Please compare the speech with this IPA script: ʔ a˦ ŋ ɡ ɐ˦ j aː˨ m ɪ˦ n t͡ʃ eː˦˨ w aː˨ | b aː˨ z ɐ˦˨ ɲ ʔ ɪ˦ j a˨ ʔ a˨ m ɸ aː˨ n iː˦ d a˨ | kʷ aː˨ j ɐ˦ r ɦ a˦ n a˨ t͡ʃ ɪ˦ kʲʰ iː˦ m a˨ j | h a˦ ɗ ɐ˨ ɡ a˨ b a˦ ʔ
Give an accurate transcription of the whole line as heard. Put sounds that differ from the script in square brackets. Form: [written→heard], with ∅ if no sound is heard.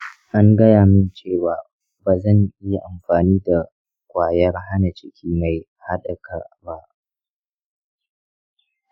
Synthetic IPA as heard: ʔ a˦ ŋ ɡ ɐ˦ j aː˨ m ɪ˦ n t͡ʃ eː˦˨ w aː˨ | b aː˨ z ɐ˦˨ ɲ ʔ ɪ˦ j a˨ ʔ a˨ m ɸ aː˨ n iː˦ d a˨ | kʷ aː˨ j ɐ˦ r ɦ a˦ n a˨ t͡ʃ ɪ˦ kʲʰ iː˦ m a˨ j | h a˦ ɗ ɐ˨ [ɡ→k] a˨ b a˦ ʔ